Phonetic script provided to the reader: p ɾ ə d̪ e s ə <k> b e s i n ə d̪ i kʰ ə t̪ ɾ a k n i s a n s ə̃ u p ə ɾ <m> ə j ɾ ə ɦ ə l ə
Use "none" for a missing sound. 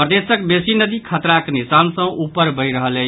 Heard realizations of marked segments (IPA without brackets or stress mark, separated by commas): k, b